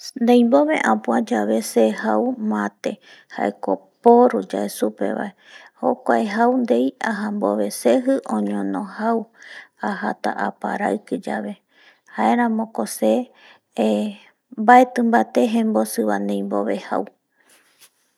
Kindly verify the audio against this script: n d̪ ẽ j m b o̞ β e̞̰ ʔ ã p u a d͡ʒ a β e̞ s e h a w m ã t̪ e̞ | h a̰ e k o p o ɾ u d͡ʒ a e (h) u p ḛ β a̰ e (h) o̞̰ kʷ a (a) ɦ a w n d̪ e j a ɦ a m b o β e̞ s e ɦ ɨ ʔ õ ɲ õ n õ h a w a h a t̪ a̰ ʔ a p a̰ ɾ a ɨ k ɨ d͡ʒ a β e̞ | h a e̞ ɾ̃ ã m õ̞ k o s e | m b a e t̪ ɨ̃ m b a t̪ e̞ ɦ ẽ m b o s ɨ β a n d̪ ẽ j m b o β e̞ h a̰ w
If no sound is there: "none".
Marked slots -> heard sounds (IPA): s, h, e

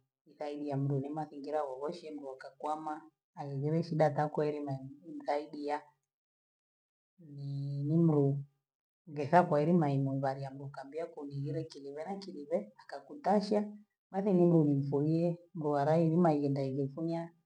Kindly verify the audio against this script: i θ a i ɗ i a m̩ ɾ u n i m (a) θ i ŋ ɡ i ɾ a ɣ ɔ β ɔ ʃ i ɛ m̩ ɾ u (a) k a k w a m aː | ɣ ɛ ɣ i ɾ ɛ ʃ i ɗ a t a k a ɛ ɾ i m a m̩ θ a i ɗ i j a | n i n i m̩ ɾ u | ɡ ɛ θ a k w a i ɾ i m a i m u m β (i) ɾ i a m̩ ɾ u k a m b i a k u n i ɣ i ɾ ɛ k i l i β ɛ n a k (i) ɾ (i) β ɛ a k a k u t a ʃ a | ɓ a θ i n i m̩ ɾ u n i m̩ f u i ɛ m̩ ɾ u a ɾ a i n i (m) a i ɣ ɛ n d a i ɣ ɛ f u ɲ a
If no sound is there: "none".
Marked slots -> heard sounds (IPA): a, a, a, i, i, m

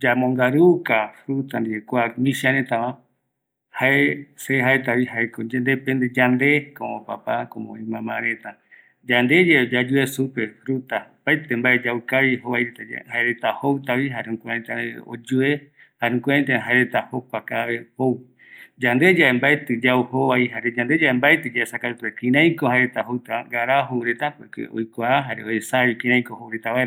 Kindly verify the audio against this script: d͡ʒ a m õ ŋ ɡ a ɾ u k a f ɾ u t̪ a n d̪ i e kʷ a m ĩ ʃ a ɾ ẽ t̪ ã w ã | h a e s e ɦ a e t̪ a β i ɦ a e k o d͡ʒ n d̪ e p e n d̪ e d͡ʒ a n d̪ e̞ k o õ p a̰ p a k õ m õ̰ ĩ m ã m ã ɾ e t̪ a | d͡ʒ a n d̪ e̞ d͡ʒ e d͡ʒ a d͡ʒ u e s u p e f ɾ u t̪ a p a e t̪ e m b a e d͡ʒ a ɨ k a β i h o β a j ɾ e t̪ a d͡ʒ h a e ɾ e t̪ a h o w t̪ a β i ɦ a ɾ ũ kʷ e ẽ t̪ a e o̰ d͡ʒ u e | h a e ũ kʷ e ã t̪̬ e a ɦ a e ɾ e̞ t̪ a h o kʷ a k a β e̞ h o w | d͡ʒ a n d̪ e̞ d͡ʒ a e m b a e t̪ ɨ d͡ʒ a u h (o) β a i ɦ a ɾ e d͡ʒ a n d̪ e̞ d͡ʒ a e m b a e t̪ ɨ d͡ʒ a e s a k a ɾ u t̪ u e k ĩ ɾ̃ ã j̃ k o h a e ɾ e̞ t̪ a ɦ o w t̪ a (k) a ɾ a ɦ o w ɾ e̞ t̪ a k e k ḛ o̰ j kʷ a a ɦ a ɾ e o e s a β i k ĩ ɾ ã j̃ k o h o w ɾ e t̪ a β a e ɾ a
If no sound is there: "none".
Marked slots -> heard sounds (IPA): o, ɡ

